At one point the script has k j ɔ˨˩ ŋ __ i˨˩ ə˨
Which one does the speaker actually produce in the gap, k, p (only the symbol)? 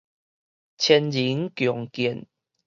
k